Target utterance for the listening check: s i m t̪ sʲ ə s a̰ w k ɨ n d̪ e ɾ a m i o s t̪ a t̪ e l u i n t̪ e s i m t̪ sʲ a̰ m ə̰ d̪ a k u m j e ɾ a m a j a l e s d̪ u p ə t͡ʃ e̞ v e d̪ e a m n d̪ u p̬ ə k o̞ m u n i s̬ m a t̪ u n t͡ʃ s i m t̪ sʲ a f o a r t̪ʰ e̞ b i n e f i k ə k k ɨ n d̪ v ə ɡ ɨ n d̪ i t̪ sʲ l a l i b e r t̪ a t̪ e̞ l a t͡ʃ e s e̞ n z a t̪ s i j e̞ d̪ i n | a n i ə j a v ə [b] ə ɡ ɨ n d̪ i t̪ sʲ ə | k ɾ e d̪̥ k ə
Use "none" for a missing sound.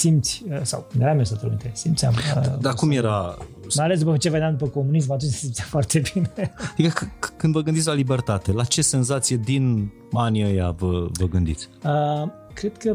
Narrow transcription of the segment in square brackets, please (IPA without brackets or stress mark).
v